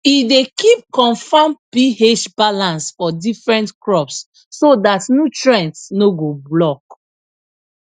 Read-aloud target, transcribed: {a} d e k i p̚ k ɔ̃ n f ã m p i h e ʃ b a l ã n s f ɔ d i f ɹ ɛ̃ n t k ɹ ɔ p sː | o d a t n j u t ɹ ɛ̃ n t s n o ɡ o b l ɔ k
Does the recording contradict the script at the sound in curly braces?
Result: yes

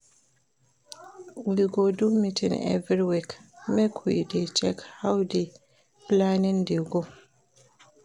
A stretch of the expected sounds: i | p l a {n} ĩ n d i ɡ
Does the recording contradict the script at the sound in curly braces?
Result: no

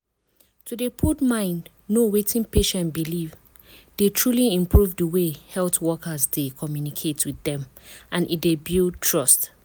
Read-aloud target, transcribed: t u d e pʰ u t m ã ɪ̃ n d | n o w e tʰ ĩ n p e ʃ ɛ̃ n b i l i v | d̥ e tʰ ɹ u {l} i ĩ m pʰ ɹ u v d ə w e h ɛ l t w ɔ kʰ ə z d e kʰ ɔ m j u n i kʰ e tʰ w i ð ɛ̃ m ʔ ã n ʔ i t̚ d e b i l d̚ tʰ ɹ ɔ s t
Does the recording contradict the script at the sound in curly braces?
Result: no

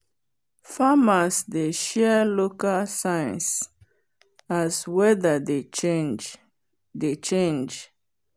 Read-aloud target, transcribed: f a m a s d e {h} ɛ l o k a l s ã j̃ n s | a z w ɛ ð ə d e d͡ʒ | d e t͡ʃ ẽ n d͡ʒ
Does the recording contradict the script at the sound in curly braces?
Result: yes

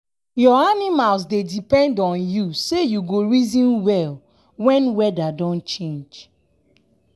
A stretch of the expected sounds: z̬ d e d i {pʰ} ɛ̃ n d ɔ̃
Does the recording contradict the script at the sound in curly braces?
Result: yes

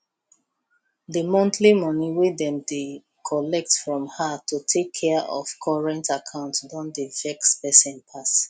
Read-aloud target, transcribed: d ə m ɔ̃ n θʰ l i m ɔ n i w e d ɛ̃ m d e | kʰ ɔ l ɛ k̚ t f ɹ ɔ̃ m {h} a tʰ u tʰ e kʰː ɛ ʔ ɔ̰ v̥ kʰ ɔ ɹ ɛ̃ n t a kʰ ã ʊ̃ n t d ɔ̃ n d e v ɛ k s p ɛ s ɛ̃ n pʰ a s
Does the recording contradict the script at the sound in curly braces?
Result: no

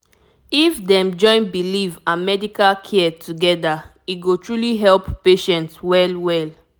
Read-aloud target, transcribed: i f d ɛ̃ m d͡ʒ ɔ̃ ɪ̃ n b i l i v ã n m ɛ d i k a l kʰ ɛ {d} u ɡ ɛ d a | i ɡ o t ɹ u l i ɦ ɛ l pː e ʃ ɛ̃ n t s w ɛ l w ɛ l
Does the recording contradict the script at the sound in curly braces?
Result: yes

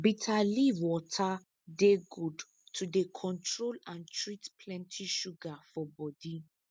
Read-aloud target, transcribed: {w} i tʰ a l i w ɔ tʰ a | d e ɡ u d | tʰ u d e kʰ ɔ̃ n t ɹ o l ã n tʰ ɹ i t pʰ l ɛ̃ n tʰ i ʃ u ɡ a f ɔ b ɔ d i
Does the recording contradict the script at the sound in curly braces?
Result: yes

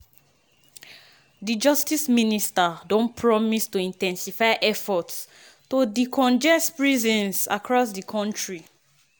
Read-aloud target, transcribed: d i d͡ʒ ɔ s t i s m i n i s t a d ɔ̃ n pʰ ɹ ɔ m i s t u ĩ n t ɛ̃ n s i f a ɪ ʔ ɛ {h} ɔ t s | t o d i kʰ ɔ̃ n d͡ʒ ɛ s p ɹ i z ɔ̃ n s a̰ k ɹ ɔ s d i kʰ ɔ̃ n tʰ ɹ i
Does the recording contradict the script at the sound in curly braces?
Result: yes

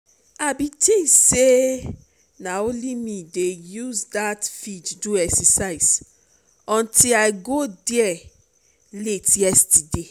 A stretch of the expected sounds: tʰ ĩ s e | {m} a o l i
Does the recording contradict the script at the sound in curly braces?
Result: yes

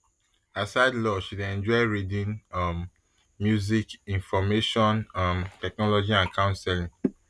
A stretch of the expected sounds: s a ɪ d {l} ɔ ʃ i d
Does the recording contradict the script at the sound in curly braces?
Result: no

